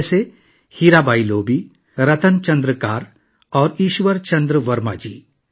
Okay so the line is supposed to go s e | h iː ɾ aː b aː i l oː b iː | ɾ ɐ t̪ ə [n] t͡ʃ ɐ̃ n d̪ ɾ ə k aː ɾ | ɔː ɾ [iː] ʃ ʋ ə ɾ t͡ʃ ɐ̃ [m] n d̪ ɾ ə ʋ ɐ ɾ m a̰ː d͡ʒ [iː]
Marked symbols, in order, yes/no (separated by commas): yes, yes, no, yes